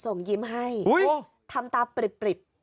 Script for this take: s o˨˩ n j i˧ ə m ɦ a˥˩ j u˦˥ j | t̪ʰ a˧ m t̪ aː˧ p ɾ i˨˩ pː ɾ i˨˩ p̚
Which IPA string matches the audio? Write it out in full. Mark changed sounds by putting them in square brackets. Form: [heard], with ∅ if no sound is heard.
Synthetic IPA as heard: s o˨˩ [ŋ] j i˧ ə m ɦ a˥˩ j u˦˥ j | t̪ʰ a˧ m t̪ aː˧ p ɾ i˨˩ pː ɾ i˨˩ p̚